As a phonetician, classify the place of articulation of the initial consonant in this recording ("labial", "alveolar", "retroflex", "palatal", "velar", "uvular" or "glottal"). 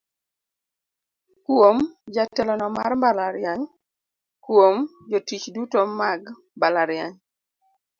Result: velar